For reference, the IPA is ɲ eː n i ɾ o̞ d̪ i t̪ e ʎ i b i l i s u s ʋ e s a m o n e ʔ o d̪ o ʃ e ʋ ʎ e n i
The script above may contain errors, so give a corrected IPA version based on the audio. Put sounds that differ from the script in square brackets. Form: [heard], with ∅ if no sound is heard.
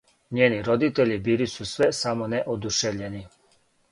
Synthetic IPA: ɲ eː n i ɾ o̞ d̪ i t̪ e ʎ i b i l i s u s ʋ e s a m o n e ʔ o d̪ [u] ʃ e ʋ ʎ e n i